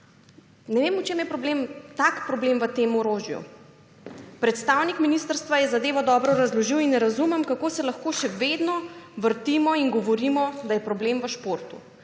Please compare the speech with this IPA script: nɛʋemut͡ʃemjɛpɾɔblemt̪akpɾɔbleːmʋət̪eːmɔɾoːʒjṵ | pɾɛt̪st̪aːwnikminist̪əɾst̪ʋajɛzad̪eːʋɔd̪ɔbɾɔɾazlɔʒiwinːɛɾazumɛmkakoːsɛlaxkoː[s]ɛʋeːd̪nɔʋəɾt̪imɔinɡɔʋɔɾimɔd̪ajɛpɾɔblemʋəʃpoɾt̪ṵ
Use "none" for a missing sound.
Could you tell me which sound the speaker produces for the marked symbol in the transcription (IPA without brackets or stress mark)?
ʃ